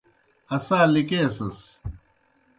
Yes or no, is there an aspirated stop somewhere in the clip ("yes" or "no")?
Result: no